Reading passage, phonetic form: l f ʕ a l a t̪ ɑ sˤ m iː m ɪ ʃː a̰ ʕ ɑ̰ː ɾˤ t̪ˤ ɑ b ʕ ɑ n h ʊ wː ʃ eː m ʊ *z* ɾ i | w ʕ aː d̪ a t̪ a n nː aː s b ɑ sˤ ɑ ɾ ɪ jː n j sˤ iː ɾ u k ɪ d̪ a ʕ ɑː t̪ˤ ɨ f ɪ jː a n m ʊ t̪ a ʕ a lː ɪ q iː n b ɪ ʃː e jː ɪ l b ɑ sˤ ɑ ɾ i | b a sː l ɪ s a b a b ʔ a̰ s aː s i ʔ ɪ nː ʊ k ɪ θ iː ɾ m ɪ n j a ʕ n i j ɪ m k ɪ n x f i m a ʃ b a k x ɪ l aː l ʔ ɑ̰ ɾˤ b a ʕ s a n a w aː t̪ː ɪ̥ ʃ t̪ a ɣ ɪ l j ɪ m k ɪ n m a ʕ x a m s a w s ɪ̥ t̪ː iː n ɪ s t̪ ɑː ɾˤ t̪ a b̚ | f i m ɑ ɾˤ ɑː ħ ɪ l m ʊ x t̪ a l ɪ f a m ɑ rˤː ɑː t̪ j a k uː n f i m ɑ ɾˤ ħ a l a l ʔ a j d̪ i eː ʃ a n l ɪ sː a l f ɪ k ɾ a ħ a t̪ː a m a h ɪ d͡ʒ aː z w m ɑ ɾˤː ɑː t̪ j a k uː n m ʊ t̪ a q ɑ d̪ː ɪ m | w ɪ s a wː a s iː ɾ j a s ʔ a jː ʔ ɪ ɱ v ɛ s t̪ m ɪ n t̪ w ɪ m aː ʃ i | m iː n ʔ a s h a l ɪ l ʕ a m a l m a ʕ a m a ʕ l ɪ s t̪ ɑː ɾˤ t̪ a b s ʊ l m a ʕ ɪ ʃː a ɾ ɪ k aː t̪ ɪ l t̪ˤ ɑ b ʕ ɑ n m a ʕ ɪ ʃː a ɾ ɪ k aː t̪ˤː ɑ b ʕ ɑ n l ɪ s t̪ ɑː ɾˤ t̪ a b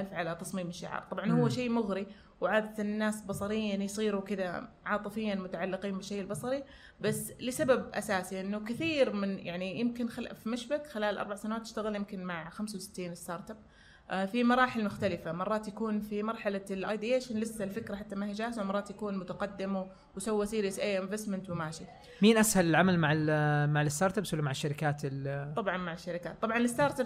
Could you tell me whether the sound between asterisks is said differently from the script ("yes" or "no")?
yes